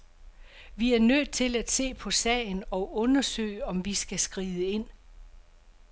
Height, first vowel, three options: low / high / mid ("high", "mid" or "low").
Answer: high